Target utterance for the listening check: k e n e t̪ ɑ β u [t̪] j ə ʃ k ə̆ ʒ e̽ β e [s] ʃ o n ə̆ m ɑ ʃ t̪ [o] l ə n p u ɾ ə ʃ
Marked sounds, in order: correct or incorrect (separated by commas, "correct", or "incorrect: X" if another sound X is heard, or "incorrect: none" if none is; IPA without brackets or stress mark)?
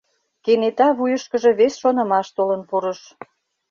incorrect: none, correct, correct